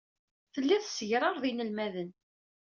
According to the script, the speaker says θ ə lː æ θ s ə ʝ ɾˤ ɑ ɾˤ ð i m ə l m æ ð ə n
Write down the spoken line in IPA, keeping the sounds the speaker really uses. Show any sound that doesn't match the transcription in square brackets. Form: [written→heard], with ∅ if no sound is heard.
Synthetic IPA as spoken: θ ə lː æ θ s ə ʝ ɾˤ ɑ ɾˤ ð i [m→n] ə l m æ ð ə n